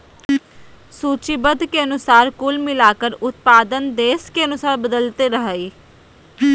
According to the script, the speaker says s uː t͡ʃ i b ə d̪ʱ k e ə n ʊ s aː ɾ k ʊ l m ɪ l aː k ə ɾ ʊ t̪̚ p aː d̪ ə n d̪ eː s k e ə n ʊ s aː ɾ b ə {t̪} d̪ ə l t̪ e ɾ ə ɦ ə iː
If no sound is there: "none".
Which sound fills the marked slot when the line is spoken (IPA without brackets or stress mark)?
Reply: none